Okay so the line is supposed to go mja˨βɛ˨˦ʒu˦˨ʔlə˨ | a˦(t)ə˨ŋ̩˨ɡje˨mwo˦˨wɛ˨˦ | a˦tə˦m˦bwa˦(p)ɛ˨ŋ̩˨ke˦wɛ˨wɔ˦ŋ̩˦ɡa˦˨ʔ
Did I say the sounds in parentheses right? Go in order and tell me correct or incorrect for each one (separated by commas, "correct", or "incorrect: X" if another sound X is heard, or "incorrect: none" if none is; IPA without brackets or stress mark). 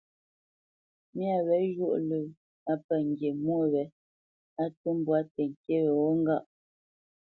incorrect: p, incorrect: t